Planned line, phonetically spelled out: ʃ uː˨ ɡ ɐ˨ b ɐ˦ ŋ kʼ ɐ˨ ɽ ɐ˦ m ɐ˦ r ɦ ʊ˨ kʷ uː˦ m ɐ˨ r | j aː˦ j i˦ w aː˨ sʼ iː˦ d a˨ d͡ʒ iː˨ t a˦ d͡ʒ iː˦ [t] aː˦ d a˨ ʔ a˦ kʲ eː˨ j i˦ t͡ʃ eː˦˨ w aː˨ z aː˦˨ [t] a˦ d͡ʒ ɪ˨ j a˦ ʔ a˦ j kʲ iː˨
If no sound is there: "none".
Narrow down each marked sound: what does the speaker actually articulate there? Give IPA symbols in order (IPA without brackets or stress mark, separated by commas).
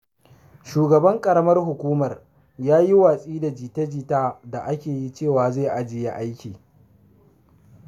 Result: t, ʔ